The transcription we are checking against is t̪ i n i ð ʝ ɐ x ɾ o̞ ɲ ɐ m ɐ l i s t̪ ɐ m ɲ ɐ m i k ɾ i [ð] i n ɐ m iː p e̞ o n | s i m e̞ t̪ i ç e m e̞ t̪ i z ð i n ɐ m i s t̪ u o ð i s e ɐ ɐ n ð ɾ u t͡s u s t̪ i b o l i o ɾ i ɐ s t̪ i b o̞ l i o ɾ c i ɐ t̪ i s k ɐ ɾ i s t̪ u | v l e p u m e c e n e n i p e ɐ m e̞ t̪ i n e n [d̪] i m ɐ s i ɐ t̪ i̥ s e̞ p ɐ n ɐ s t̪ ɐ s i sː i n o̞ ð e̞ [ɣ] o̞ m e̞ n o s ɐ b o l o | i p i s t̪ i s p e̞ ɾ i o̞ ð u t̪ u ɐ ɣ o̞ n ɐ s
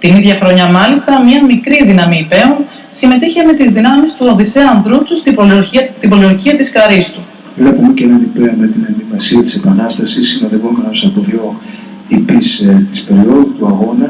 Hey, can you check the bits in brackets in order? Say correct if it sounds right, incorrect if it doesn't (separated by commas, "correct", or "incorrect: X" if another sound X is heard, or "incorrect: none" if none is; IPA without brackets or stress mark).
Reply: correct, correct, correct